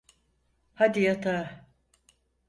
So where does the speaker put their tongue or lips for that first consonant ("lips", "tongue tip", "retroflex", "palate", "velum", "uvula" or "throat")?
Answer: throat